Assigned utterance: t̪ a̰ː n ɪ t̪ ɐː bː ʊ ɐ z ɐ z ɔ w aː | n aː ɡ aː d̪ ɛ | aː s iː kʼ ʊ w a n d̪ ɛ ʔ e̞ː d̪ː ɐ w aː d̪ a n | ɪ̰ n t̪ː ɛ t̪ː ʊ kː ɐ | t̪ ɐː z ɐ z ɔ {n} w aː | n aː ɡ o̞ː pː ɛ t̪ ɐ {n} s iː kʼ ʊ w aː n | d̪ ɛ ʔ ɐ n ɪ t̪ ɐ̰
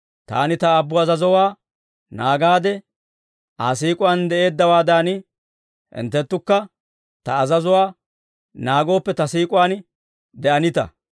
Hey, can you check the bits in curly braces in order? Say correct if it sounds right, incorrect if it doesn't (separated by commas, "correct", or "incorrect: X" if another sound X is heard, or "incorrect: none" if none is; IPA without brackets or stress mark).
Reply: incorrect: none, incorrect: none